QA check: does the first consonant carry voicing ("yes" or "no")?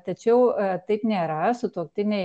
no